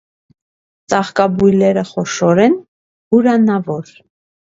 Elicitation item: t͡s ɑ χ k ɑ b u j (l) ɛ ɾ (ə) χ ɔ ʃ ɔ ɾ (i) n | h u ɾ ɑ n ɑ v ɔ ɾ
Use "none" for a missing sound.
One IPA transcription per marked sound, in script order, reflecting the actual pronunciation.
l, ə, ɛ

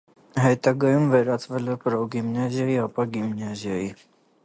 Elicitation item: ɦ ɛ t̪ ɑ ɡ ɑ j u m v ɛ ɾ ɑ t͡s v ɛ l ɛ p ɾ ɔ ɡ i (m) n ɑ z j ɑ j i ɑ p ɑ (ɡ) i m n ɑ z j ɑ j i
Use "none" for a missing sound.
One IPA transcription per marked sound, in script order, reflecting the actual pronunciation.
m, ɡ

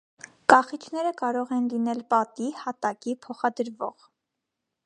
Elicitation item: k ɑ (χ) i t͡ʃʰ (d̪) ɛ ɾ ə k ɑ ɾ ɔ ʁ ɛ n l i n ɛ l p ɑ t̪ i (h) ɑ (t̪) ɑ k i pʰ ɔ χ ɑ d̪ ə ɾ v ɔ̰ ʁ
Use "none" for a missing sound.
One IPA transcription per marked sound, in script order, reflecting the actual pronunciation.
χ, n̪, h, t̪

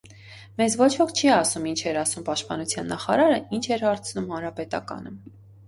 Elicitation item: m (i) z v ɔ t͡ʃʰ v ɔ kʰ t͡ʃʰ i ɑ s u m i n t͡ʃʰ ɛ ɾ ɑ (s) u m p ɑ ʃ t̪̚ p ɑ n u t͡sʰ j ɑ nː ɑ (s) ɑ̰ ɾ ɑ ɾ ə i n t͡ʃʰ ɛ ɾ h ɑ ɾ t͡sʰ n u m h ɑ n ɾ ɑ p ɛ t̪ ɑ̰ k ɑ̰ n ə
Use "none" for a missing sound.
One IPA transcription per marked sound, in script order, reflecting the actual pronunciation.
ɛ, s, χ

